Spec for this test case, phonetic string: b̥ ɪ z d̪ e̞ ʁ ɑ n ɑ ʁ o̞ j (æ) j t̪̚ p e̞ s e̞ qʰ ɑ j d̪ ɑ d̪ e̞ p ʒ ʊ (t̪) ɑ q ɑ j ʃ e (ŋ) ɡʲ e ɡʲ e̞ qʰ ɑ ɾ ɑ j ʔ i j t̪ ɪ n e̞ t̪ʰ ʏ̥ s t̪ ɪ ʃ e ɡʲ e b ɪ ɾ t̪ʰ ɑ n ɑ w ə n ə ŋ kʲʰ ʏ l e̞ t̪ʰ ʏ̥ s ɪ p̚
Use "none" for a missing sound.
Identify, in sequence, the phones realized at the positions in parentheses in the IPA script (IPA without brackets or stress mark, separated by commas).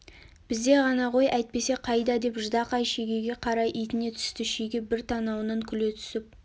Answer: æ, d̪, none